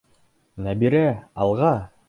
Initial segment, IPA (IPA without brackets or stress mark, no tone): n